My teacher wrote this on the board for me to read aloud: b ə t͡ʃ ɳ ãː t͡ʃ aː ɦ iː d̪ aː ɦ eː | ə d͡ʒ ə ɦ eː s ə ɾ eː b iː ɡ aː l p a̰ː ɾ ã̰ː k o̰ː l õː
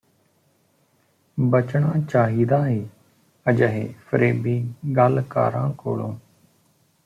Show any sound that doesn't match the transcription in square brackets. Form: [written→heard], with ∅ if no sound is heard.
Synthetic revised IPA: b ə t͡ʃ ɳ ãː t͡ʃ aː ɦ iː d̪ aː ɦ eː | ə d͡ʒ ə ɦ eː [s→f] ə ɾ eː b iː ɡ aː l [p→k] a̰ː ɾ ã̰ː k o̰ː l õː